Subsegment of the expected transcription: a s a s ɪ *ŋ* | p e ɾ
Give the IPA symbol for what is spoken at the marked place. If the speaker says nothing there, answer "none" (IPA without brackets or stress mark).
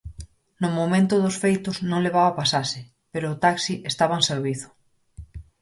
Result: none